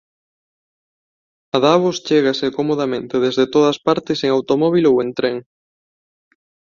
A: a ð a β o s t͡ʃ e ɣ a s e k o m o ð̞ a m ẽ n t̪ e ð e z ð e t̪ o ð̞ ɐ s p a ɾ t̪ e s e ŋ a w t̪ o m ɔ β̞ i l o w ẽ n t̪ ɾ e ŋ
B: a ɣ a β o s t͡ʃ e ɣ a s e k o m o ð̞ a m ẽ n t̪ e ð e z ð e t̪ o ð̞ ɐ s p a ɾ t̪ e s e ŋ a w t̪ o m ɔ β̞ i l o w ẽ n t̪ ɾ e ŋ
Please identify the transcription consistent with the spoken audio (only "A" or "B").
A